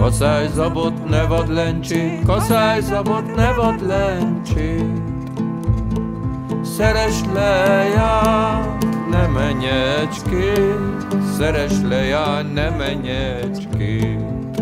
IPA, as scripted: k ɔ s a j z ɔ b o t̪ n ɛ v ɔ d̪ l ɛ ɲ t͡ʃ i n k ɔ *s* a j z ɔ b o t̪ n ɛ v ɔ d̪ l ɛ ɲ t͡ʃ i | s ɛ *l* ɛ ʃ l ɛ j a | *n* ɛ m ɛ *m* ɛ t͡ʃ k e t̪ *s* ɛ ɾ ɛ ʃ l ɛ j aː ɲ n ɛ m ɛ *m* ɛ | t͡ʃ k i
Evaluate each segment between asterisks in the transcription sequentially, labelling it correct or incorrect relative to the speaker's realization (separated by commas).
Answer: correct, incorrect, correct, incorrect, correct, incorrect